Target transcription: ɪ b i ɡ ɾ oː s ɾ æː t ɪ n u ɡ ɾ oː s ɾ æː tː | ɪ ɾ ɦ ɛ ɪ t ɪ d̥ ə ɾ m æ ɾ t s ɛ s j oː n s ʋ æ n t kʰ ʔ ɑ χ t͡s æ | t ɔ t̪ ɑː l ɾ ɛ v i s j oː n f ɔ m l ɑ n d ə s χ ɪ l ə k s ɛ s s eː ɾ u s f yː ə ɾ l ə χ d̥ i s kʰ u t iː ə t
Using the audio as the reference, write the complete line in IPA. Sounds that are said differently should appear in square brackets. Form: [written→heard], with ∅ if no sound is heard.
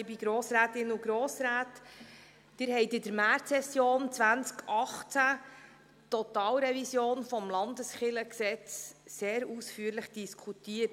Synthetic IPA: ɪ b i ɡ ɾ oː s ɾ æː t ɪ n u ɡ ɾ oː s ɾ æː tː | ɪ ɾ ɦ ɛ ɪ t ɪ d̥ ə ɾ m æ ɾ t s ɛ s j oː n [s→t͡s] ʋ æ n [t→t͡s] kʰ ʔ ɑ χ t͡s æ | t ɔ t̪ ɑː l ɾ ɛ v i s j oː n f ɔ m l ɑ n d ə s χ ɪ l ə k s ɛ [s→t͡s] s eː ɾ u s f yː ə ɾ l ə χ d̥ i s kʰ u t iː ə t